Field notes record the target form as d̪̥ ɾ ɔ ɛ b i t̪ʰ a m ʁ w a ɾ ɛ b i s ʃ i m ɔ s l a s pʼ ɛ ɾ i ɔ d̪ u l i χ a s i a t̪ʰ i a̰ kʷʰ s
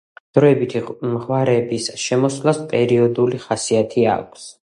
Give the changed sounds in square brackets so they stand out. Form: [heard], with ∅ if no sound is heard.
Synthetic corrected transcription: d̪̥ ɾ ɔ ɛ b i t̪ʰ [i] m ʁ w a ɾ ɛ b i s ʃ [ɛ] m ɔ s l a s pʼ ɛ ɾ i ɔ d̪ u l i χ a s i a t̪ʰ i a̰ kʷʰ s

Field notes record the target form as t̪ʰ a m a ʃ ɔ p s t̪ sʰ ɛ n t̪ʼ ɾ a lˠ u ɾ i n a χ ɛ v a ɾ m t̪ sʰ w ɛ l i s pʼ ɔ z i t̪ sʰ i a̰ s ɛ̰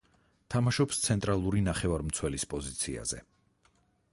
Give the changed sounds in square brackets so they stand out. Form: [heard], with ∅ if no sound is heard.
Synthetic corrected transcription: t̪ʰ a m a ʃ ɔ p s t̪ sʰ ɛ n t̪ʼ ɾ a lˠ u ɾ i n a χ ɛ v a ɾ m t̪ sʰ w ɛ l i s pʼ ɔ z i t̪ sʰ i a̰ [z] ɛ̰

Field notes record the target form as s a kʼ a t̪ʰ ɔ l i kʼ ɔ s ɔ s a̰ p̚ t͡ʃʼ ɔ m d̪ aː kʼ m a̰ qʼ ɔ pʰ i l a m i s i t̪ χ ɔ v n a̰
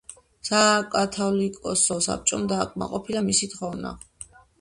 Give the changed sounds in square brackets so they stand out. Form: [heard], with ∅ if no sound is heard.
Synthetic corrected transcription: s a kʼ a t̪ʰ ɔ l i kʼ ɔ s ɔ s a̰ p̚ t͡ʃʼ ɔ m d̪ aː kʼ m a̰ qʼ ɔ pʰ i l a m i s i t̪ χ ɔ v n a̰

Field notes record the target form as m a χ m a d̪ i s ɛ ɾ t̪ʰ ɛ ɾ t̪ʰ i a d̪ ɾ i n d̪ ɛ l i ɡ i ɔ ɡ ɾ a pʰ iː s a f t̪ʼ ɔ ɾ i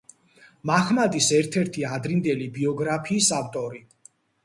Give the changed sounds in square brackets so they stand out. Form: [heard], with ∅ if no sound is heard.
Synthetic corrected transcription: m a χ m a d̪ i s ɛ ɾ t̪ʰ ɛ ɾ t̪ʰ i a d̪ ɾ i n d̪ ɛ l i [b] i ɔ ɡ ɾ a pʰ iː s a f t̪ʼ ɔ ɾ i

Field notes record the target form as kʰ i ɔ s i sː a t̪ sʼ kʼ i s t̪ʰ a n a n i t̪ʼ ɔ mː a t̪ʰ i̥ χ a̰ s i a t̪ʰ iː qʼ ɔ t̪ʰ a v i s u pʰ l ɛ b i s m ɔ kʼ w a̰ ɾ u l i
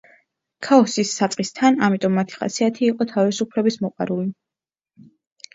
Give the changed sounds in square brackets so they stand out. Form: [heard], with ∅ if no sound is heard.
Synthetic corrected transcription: kʰ [a] ɔ s i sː a t̪ sʼ [qʼ] i s t̪ʰ a n a [m] i t̪ʼ ɔ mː a t̪ʰ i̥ χ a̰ s i a t̪ʰ iː qʼ ɔ t̪ʰ a v i s u pʰ l ɛ b i s m ɔ [qʼ] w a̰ ɾ u l i

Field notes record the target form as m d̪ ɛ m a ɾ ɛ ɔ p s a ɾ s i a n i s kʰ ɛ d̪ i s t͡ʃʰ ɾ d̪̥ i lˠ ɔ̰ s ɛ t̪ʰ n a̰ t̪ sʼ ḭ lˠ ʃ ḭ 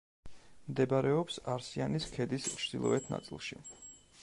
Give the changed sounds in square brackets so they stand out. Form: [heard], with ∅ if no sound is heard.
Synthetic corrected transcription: m d̪ ɛ [b] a ɾ ɛ ɔ p s a ɾ s i a n i s kʰ ɛ d̪ i s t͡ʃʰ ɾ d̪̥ i lˠ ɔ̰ [∅] ɛ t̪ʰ n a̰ t̪ sʼ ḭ lˠ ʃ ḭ

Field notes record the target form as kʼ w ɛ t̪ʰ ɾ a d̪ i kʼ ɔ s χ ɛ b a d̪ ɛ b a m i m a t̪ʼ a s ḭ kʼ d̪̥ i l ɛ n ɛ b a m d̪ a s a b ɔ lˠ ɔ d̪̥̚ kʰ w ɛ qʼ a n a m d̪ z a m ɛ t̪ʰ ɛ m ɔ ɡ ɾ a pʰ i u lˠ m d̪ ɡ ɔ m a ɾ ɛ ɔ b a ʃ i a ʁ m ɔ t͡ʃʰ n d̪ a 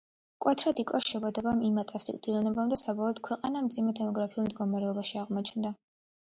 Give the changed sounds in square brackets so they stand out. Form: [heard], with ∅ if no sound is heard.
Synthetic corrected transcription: kʼ w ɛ t̪ʰ ɾ a d̪ i kʼ ɔ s [ʃ] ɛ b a d̪ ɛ b a m i m a t̪ʼ a s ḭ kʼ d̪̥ i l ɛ n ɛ b a m d̪ a s a b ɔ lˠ ɔ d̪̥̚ kʰ w ɛ qʼ a n a m d̪ z [i] m ɛ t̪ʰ ɛ m ɔ ɡ ɾ a pʰ i u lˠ m d̪ ɡ ɔ m a ɾ ɛ ɔ b a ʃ i a ʁ m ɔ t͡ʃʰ n d̪ a

